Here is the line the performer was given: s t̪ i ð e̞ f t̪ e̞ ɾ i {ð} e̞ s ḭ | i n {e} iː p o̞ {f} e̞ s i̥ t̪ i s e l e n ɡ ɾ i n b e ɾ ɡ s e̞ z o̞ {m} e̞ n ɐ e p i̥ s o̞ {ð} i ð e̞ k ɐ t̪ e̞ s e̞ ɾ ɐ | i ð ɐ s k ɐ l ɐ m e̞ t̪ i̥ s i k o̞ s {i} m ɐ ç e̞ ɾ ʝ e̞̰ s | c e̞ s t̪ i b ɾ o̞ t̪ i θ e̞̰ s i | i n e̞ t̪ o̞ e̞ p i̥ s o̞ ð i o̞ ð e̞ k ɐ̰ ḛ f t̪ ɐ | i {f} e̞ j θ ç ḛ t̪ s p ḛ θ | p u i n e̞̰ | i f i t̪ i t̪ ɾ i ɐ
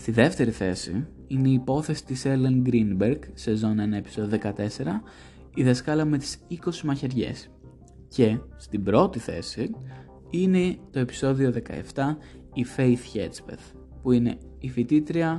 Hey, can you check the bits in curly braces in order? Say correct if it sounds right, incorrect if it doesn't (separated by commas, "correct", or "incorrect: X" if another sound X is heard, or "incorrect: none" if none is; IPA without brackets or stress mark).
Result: incorrect: θ, correct, incorrect: θ, incorrect: n, correct, correct, correct